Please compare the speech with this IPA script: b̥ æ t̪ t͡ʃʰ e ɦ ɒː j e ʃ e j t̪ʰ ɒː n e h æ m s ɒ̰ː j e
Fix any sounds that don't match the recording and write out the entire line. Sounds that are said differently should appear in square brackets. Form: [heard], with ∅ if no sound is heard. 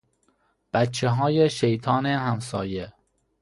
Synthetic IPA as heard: b̥ æ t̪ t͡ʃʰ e ɦ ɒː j e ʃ e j t̪ʰ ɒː n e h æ m s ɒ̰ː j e